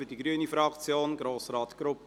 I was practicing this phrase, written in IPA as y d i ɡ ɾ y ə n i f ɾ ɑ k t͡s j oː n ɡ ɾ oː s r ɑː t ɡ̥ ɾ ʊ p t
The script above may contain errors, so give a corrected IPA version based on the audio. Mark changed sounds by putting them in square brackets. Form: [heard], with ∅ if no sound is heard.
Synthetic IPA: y d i ɡ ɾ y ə n i f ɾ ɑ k t͡s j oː n ɡ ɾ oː s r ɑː t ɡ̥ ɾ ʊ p [p]